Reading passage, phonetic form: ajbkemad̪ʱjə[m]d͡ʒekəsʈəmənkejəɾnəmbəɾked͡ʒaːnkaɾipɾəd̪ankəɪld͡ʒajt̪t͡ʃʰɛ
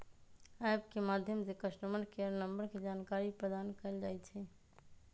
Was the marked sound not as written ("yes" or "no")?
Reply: no